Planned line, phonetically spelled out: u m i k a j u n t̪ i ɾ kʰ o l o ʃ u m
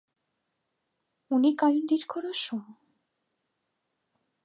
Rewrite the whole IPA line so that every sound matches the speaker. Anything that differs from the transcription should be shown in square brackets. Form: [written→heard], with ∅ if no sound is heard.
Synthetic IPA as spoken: u [m→n] i k a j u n [t̪→d̪] i ɾ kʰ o [l→ɾ] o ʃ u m